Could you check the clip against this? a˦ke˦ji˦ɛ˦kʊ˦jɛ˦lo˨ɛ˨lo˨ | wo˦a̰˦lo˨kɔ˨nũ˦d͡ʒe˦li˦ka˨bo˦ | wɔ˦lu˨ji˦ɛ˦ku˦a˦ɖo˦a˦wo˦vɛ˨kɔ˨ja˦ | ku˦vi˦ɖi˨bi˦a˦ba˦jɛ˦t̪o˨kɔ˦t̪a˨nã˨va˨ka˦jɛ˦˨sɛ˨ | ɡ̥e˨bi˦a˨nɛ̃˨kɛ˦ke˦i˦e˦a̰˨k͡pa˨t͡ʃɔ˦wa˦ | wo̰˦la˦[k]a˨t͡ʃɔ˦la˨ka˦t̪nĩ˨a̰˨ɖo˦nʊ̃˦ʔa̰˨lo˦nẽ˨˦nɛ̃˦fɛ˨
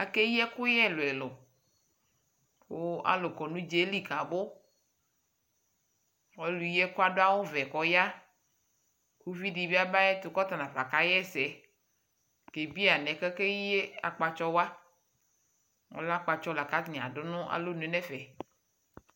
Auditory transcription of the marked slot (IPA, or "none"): k͡p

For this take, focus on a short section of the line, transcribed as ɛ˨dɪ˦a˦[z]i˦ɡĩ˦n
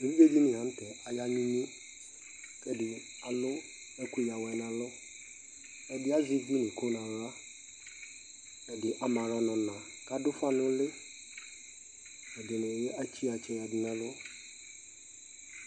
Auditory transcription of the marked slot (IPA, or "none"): z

